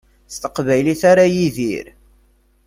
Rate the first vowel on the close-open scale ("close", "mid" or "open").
mid